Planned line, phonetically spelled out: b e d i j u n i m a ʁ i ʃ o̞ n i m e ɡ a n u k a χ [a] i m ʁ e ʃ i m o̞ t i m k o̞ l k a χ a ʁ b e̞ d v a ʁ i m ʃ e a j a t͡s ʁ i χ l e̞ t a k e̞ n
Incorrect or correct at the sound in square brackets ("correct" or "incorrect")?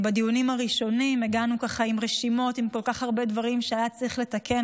correct